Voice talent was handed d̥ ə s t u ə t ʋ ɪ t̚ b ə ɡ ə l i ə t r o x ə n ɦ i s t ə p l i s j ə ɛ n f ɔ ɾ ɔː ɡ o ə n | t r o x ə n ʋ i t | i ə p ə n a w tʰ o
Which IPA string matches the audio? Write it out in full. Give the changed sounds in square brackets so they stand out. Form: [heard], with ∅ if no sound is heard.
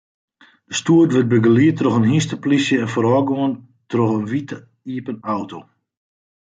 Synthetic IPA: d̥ ə s t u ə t ʋ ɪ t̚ b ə ɡ ə l i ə t r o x ə n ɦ i s t ə p l i s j ə ɛ n f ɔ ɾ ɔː ɡ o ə n | t r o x ə n ʋ i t | i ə p ə n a w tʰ o